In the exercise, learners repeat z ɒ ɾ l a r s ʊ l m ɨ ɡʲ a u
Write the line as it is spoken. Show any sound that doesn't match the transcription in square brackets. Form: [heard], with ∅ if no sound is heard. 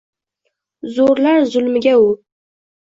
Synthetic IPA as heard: z [o] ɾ l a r [z] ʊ l m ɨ ɡʲ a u

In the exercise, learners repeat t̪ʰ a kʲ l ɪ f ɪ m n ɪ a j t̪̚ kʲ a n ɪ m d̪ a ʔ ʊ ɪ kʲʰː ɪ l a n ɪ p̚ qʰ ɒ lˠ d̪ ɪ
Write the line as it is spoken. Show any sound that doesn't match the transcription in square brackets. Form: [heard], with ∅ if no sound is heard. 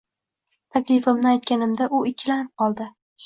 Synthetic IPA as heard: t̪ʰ a kʲ l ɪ f ɪ m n ɪ a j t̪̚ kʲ a n ɪ m d̪ a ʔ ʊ ɪ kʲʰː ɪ l a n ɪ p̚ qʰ ɒ lˠ d̪ ɪ

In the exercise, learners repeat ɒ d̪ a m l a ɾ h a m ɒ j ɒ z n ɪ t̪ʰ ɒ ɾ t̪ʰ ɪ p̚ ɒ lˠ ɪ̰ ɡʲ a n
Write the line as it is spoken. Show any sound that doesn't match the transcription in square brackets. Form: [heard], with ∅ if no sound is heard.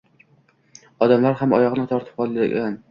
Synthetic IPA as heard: ɒ d̪ a m l a ɾ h a m ɒ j ɒ [ʁ] n ɪ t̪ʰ ɒ ɾ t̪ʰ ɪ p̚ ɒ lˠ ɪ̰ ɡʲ a n

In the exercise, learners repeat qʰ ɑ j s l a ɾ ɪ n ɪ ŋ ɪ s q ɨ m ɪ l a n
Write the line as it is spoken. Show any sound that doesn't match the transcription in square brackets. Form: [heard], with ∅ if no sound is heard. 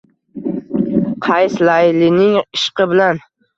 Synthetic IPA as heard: qʰ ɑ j s l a [l] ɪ n ɪ ŋ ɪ [ʃ] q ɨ [b] ɪ l a n

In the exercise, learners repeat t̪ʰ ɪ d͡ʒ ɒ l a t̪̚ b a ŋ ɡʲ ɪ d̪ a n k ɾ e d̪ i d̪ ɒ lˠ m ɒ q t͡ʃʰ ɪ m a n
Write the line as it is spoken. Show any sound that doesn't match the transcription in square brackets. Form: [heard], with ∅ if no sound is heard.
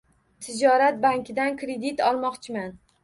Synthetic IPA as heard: t̪ʰ ɪ d͡ʒ ɒ [ɾ] a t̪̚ b a ŋ [kʲ] ɪ d̪ a n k ɾ e d̪ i [t̪] ɒ lˠ m ɒ q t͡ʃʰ ɪ m a n

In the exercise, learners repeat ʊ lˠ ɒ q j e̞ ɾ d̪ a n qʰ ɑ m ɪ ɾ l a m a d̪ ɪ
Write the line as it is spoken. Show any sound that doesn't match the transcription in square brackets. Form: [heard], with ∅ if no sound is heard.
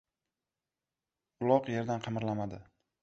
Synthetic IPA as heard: ʊ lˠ ɒ q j e̞ ɾ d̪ a n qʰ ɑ m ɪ ɾ l a m a d̪ ɪ

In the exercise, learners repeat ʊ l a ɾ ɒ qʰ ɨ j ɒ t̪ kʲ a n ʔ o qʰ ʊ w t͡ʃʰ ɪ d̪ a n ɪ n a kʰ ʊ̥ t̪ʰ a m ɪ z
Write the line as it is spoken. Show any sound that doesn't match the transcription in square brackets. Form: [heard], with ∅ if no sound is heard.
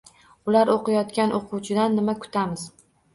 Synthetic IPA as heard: ʊ l a ɾ [o] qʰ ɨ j ɒ t̪ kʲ a n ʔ o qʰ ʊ w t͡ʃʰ ɪ d̪ a [nː] ɪ [m] a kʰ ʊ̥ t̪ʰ a m ɪ z

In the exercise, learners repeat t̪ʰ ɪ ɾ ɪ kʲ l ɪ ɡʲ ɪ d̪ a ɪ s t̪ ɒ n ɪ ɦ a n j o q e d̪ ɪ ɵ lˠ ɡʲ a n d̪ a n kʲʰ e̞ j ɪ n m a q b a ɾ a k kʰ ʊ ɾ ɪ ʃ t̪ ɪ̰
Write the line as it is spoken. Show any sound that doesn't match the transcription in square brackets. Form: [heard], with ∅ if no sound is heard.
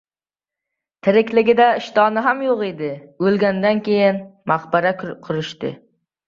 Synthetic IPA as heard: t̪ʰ ɪ ɾ ɪ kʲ l ɪ ɡʲ ɪ d̪ a ɪ [ʃ] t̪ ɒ n ɪ ɦ a [m] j o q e d̪ ɪ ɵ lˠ ɡʲ a n d̪ a n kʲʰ e̞ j ɪ n m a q b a ɾ a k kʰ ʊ ɾ ɪ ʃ t̪ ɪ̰

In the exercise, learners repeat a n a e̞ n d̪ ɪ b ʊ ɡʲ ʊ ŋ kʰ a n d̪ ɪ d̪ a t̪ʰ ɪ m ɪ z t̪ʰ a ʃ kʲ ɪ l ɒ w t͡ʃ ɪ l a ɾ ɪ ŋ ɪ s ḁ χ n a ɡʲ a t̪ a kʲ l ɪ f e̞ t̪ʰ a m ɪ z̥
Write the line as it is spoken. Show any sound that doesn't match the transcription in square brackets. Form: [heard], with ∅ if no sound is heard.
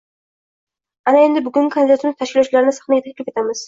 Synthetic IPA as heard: a n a e̞ n d̪ ɪ b ʊ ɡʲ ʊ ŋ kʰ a n d̪ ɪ d̪ a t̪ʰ ɪ m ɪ z t̪ʰ a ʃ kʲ ɪ l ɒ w t͡ʃ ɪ l a ɾ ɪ [n] ɪ s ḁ χ n a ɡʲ a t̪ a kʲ l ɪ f e̞ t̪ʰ a m ɪ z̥

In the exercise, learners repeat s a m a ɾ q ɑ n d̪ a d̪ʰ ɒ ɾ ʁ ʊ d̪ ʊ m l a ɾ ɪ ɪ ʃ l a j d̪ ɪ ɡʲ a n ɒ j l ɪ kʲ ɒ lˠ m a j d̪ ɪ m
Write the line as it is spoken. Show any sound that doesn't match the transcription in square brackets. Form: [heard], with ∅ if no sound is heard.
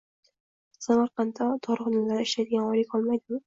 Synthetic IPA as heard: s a m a ɾ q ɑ n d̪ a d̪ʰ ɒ ɾ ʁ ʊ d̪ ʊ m l a ɾ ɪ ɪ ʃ l a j d̪ ɪ ɡʲ a n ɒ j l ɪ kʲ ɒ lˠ m a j d̪ ɪ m

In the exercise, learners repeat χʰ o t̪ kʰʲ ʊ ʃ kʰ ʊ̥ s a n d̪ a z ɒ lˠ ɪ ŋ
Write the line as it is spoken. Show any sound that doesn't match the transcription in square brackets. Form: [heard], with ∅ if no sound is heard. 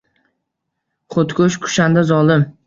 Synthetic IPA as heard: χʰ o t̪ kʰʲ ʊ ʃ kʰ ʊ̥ [ʃ] a n d̪ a z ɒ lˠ ɪ [m]

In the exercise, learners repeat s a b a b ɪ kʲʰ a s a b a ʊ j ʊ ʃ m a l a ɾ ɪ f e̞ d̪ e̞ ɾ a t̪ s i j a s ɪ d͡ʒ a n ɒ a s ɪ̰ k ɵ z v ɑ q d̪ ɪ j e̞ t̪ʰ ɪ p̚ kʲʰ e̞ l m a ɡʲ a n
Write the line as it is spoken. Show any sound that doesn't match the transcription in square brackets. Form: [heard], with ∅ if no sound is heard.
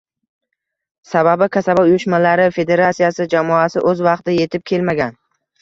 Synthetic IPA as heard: s a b a b ɪ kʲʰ a s a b a ʊ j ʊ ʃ m a l a ɾ ɪ f e̞ d̪ e̞ ɾ a t̪ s i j a s ɪ d͡ʒ a [m] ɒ a s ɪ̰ [ʔ] ɵ z v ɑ q [t̪] ɪ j e̞ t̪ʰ ɪ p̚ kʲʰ e̞ l m a ɡʲ a n

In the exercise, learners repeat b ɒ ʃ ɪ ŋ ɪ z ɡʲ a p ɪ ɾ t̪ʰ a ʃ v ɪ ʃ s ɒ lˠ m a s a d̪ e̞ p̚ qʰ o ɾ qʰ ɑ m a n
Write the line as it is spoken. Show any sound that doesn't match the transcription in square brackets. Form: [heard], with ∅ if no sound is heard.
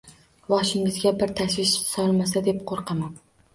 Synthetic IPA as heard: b ɒ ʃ ɪ ŋ ɪ z ɡʲ a [b] ɪ ɾ t̪ʰ a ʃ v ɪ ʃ s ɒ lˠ m a s a d̪ e̞ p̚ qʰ o ɾ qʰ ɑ m a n

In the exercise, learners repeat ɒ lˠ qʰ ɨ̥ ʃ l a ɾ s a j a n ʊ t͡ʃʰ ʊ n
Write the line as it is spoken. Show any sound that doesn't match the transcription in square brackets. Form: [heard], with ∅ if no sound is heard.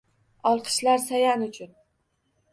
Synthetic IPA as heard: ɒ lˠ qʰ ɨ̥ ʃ l a ɾ s a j a n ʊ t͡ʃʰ ʊ n

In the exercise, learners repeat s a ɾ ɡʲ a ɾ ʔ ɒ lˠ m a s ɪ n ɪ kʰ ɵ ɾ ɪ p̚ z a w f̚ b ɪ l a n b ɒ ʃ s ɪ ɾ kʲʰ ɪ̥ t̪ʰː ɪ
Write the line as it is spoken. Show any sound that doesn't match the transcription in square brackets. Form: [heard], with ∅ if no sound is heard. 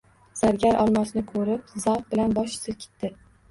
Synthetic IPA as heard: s a ɾ ɡʲ a ɾ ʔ ɒ lˠ m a s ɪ n ɪ kʰ ɵ ɾ ɪ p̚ z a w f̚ b ɪ l a n b ɒ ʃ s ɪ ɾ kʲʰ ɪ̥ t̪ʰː ɪ

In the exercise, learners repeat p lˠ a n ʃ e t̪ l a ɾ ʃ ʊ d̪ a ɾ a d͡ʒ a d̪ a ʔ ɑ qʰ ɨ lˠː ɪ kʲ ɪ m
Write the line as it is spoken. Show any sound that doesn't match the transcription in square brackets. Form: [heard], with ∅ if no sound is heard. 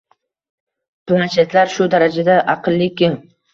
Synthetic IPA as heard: p lˠ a n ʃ e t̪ l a ɾ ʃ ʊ d̪ a ɾ a d͡ʒ a d̪ a ʔ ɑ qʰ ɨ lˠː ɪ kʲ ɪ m

